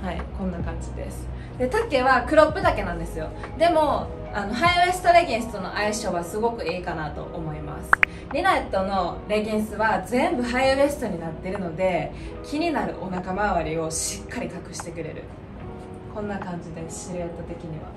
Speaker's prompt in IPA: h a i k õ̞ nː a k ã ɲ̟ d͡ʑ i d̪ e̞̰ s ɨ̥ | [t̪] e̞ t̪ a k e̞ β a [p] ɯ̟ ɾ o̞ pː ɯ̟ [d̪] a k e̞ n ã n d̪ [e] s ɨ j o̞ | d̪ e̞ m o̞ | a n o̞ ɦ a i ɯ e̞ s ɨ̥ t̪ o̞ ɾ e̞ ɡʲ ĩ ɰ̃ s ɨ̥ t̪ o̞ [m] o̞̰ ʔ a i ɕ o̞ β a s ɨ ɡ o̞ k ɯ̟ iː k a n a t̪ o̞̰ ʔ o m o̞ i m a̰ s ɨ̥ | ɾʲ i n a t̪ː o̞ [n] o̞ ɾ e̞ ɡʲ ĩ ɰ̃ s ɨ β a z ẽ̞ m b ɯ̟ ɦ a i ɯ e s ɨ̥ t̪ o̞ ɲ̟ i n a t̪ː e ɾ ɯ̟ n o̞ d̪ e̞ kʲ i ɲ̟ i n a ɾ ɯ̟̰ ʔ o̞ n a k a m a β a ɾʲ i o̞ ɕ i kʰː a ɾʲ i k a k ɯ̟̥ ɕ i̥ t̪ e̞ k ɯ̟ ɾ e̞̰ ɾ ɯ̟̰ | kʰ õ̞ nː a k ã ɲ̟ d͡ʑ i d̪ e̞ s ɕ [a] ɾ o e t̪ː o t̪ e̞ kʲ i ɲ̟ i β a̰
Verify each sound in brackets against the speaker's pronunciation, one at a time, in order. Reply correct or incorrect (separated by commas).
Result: incorrect, incorrect, correct, correct, incorrect, correct, incorrect